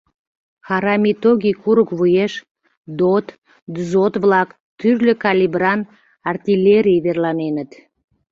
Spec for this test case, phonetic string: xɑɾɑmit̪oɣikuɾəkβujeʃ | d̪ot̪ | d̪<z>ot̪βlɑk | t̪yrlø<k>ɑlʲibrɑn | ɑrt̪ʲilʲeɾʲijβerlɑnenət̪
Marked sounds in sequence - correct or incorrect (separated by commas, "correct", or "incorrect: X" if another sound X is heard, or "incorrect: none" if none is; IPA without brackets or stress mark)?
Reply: correct, correct